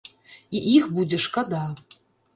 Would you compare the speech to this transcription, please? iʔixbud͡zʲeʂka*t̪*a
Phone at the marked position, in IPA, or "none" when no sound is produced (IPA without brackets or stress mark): d̪